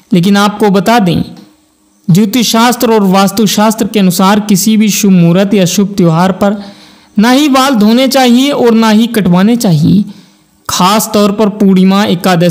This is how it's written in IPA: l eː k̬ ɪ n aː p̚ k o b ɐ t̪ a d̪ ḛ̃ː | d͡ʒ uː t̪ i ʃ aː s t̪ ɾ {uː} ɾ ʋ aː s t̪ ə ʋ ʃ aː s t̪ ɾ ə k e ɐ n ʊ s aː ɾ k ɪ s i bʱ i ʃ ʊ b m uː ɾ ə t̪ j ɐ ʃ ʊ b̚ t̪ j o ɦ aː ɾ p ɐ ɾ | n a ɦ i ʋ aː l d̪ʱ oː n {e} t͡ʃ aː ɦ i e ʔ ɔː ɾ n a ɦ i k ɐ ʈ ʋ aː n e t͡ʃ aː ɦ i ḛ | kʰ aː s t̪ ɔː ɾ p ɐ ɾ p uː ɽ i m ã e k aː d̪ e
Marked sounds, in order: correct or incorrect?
incorrect: ɔː, correct

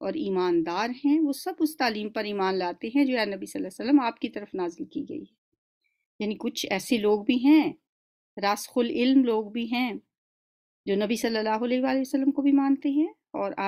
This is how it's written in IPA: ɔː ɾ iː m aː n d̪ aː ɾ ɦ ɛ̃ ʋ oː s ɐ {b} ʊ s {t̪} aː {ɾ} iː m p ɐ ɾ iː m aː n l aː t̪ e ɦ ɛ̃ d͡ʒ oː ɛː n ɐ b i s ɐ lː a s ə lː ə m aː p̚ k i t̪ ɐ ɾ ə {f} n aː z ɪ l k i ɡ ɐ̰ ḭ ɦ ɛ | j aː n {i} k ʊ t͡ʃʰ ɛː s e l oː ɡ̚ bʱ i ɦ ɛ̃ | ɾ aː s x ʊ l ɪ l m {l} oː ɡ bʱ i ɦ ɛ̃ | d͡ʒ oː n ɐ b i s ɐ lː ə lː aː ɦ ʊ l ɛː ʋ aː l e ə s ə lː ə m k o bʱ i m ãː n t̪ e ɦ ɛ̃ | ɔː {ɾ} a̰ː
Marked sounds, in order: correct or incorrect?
correct, correct, incorrect: l, correct, correct, correct, correct

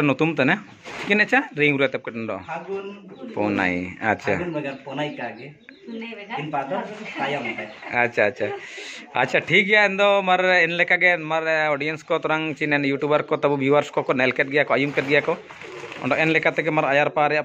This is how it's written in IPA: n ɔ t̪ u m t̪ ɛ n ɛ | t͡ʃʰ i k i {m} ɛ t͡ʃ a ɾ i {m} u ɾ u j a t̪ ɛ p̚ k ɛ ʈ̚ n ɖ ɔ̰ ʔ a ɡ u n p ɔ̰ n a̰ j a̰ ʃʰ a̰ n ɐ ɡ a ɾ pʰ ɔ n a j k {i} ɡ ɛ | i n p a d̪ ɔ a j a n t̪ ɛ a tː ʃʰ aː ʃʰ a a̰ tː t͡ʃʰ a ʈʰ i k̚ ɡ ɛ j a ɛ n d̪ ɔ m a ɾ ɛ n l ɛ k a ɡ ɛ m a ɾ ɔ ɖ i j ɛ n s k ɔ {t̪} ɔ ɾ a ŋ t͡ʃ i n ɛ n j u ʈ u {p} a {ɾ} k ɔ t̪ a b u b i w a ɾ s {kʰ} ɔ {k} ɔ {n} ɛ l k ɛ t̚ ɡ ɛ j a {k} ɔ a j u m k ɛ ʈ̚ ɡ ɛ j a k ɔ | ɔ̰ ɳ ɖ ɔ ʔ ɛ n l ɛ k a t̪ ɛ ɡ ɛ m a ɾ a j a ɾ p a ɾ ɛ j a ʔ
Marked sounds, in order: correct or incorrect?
incorrect: n, incorrect: ŋ, incorrect: a, correct, incorrect: b, correct, incorrect: k, correct, correct, correct

